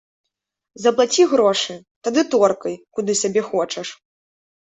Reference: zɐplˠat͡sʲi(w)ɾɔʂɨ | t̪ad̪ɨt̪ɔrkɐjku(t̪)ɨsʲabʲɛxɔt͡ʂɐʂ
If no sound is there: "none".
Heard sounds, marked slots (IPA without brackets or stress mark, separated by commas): ɣ, d̪